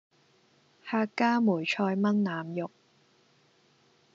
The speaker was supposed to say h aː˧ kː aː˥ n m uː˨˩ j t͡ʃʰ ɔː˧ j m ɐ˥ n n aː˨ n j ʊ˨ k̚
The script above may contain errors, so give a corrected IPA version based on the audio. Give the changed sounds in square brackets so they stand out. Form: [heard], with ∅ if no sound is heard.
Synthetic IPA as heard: h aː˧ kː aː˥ [∅] m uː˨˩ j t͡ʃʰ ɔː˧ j m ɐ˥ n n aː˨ [m] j ʊ˨ k̚